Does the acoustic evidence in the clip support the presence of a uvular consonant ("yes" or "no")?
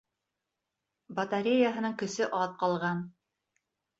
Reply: yes